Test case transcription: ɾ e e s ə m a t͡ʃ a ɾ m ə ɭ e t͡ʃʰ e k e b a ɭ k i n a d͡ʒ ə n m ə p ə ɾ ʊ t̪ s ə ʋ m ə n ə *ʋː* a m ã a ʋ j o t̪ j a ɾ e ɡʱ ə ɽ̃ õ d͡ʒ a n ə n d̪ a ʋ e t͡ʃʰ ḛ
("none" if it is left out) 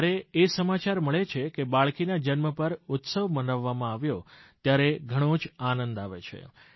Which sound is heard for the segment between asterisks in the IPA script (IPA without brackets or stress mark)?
ʋː